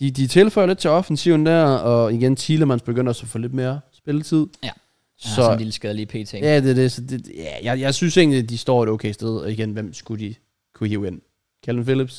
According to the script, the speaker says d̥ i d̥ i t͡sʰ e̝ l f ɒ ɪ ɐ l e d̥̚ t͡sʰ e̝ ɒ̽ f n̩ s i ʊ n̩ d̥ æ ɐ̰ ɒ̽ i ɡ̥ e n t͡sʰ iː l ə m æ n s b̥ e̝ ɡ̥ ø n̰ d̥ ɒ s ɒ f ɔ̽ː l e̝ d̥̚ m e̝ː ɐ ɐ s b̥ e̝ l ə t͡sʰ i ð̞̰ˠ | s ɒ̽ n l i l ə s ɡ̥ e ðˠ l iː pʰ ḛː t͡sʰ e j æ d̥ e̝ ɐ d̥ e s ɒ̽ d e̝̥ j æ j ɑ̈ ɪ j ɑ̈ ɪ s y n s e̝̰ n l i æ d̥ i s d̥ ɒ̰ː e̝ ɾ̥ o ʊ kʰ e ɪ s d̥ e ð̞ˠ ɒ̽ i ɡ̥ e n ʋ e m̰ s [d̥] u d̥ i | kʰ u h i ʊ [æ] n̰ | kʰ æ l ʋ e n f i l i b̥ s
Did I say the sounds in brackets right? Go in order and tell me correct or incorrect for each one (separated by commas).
incorrect, incorrect